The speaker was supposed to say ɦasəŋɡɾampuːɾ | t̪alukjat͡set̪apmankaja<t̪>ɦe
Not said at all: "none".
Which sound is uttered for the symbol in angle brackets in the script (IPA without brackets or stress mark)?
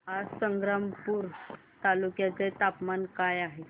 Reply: none